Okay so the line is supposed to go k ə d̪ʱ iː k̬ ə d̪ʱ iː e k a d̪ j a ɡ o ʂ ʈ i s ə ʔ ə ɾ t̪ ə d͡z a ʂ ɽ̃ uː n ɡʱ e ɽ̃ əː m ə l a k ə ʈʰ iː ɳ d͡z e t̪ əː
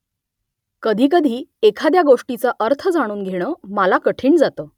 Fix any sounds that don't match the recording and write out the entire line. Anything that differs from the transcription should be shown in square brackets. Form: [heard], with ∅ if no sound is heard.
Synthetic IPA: k ə d̪ʱ iː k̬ ə d̪ʱ iː e [kʰ] a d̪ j a ɡ o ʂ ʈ i [t͡s] ə ʔ ə ɾ [t̪ʰ] ə d͡z a [∅] ɽ̃ uː n ɡʱ e ɽ̃ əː m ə l a k ə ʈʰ iː ɳ d͡z [a] t̪ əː